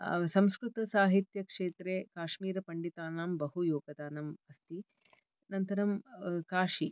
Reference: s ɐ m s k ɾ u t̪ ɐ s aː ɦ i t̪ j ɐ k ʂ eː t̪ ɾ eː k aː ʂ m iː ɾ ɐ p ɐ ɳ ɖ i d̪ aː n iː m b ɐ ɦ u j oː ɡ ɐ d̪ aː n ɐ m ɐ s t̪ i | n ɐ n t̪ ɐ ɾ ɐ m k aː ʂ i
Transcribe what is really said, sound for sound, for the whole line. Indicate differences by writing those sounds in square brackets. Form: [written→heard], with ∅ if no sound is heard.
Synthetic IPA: s ɐ m s k ɾ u t̪ ɐ s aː ɦ i t̪ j ɐ k ʂ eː t̪ ɾ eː k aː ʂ m iː ɾ ɐ p ɐ ɳ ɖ i [d̪→t̪] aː n [iː→aː] m b ɐ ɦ u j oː ɡ ɐ d̪ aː n ɐ m ɐ s t̪ i | n ɐ n t̪ ɐ ɾ ɐ m k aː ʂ i